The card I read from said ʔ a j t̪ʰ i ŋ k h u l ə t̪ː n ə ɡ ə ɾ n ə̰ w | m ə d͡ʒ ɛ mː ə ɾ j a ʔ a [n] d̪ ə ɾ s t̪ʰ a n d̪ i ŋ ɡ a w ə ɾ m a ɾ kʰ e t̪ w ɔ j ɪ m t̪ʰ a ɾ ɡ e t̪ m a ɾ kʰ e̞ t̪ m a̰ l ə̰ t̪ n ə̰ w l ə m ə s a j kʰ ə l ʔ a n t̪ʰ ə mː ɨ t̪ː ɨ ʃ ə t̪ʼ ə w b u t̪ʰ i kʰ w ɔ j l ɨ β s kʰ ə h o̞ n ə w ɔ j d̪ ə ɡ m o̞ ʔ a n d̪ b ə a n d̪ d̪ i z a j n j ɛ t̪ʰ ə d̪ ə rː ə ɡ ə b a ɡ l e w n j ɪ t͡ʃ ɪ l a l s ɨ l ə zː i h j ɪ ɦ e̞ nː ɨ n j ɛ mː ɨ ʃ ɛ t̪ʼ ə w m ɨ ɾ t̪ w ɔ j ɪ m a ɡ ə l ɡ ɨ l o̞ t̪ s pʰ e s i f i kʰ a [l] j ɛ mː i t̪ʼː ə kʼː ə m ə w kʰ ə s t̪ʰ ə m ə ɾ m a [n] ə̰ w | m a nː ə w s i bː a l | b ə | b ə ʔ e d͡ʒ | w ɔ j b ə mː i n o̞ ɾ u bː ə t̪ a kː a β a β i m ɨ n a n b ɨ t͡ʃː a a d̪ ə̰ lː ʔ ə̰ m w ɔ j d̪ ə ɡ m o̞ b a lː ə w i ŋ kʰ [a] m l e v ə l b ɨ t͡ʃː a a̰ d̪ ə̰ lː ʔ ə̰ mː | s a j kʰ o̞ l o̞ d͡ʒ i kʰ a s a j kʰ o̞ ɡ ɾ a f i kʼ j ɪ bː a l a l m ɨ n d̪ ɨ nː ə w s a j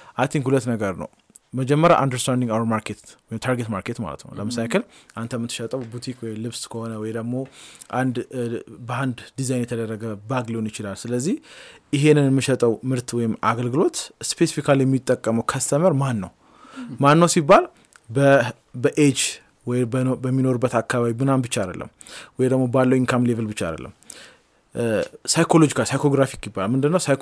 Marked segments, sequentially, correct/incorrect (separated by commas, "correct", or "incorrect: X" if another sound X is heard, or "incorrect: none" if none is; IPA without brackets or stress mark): correct, correct, incorrect: nː, correct